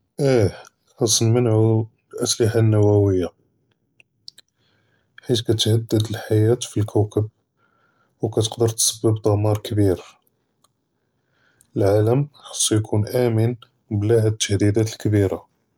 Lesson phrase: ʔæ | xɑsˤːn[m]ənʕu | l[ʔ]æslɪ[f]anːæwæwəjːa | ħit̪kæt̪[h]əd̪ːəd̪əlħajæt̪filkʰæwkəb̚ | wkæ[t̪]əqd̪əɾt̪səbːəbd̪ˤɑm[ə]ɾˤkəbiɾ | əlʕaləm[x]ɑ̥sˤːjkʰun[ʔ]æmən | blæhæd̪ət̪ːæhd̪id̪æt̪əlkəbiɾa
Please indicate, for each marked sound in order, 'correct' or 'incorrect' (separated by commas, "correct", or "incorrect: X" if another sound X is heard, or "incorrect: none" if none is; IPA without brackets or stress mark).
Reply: correct, correct, incorrect: ħ, correct, correct, incorrect: ɑ, correct, correct